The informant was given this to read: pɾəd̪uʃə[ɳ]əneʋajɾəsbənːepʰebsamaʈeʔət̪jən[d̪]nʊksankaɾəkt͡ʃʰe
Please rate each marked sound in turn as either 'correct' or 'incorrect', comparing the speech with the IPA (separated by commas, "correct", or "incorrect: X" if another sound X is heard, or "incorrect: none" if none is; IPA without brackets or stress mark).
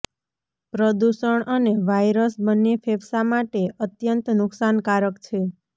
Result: correct, incorrect: t̪